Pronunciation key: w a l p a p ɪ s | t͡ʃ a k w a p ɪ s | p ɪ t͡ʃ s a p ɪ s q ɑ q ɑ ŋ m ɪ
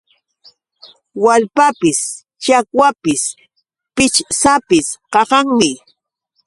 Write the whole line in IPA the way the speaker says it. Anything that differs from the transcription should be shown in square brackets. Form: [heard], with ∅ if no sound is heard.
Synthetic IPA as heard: w a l p a p ɪ s | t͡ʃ a k w a p ɪ s | p ɪ t͡ʃ s a p ɪ s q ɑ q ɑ ŋ m ɪ

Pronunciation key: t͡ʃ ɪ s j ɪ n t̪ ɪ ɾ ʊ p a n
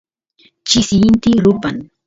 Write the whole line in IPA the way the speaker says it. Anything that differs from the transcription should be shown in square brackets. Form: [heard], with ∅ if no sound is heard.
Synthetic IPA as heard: t͡ʃ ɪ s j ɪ n t̪ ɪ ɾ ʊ p a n

